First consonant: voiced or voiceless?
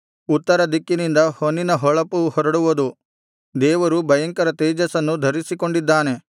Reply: voiceless